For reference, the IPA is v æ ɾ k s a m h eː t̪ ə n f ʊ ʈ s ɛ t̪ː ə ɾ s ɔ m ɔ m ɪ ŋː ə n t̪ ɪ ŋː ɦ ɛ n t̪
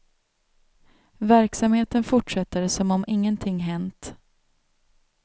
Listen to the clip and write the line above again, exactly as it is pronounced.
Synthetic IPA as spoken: v æ ɾ k s a m h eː t̪ ə n f ʊ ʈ ʂ ɛ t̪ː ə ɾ s ɔ m ɔ m ɪ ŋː ə n t̪ʰ ɪ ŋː ɦ ɛ n t̪